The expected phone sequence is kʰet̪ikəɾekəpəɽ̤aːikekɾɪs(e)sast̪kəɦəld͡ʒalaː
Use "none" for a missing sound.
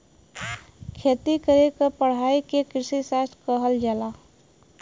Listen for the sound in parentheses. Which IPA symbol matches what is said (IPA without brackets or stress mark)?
i